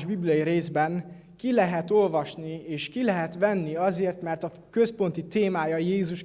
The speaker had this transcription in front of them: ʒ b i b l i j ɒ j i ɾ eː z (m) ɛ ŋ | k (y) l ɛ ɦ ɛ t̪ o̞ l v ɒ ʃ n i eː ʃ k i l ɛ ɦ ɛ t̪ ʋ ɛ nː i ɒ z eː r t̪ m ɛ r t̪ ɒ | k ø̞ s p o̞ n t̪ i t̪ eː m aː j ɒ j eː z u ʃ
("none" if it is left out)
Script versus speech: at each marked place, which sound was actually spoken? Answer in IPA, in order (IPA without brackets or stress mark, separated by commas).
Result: b, i